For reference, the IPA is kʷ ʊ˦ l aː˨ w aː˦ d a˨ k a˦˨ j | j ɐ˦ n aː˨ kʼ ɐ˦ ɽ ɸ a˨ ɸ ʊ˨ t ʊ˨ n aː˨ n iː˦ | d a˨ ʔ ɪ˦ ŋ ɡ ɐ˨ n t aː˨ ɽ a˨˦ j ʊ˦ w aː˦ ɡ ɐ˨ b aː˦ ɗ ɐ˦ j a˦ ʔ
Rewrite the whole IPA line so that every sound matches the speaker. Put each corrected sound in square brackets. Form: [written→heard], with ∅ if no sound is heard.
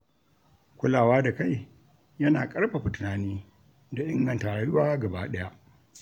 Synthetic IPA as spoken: kʷ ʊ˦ l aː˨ w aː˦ d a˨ k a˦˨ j | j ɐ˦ n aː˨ kʼ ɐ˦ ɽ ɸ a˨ ɸ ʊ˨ t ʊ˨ n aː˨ n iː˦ | d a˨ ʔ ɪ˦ ŋ ɡ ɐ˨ n t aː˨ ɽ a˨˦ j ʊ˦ w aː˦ ɡ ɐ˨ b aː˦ ɗ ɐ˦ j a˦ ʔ